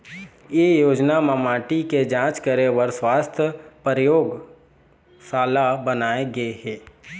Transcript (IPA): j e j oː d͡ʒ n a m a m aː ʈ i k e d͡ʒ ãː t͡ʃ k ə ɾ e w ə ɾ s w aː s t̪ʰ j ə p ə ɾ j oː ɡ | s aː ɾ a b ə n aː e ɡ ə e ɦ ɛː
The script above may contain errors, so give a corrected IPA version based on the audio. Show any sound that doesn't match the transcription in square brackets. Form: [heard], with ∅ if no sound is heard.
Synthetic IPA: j e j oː d͡ʒ n a m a m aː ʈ i k e d͡ʒ ãː t͡ʃ k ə ɾ e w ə ɾ s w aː s t̪ʰ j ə p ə ɾ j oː ɡ | s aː [l] a b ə n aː e ɡ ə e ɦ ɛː